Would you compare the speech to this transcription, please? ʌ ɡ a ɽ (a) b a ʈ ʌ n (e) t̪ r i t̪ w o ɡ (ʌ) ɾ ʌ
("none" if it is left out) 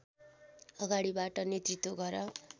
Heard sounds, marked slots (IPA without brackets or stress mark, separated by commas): i, e, ʌ